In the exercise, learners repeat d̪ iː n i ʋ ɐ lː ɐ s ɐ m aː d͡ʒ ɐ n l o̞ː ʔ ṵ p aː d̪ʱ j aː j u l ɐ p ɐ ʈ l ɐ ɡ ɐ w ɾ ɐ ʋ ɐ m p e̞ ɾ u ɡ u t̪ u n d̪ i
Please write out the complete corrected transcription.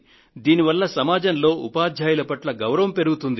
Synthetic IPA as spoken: d̪ iː n i ʋ ɐ lː ɐ s ɐ m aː d͡ʒ ɐ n l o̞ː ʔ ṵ p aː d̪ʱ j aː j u l ɐ p ɐ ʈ l ɐ ɡ ɐ w ɾ ɐ ʋ ɐ m p e̞ ɾ u ɡ u t̪ u n d̪ i